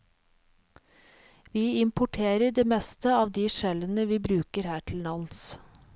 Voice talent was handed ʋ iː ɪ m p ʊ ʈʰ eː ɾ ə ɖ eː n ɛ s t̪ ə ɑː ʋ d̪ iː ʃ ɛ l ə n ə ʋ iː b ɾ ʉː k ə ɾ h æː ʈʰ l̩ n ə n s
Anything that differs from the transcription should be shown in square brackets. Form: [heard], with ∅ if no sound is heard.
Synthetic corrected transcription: ʋ iː ɪ m p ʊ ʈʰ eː ɾ ə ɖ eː [m] ɛ s t̪ ə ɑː ʋ d̪ iː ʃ ɛ l ə n ə ʋ iː b ɾ ʉː k ə ɾ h æː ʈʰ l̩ n [ɑ] n s